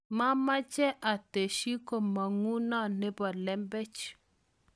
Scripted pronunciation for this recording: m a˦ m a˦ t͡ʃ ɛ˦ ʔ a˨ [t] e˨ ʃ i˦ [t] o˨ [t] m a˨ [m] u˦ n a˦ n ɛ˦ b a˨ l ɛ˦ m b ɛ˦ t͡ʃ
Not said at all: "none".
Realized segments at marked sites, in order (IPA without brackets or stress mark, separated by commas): t, k, none, ŋ